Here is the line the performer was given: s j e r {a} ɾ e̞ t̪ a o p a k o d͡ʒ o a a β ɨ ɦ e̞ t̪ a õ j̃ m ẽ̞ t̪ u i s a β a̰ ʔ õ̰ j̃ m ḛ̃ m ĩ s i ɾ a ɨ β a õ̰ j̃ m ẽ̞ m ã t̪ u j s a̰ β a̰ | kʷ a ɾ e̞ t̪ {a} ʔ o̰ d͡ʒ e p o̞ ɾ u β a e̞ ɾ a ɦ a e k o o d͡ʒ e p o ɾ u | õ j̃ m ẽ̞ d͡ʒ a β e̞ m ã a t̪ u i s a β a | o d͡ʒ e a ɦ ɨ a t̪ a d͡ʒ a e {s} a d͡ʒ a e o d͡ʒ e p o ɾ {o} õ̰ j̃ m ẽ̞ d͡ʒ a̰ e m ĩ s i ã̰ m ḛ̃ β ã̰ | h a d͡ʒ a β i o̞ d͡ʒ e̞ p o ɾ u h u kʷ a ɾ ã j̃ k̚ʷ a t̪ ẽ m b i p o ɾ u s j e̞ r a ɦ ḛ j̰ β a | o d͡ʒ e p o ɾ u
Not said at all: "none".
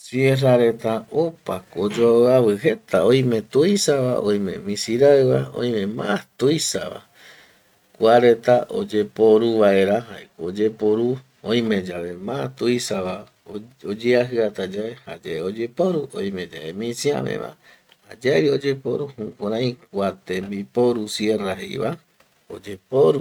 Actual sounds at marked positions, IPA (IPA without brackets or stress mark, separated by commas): a, a, h, u